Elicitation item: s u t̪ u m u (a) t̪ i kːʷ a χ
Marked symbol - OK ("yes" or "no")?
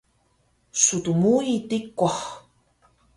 no